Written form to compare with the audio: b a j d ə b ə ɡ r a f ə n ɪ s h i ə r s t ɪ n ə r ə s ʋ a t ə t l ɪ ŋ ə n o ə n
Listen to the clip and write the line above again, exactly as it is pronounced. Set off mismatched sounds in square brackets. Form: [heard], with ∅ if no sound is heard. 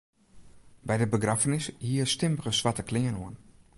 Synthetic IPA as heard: b [ɛ] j d ə b ə ɡ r a f ə n ɪ s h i ə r s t ɪ [m] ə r ə s ʋ a t ə [k] l ɪ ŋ ə n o ə n